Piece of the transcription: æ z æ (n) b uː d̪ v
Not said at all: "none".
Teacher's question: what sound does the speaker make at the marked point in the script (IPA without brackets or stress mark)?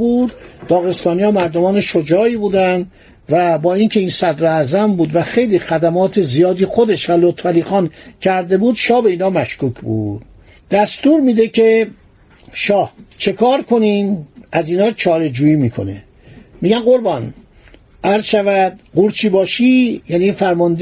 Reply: m